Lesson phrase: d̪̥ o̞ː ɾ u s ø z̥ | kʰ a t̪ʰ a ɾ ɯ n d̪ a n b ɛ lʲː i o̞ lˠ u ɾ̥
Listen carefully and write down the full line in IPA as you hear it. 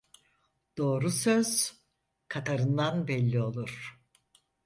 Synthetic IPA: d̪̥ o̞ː ɾ u s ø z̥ | kʰ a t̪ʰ a ɾ ɯ n d̪ a n b ɛ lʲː i o̞ lˠ u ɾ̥